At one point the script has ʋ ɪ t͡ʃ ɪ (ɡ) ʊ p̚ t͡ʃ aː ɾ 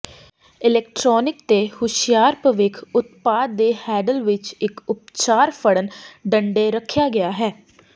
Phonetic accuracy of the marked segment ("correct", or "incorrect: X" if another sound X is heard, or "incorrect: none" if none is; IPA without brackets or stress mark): incorrect: k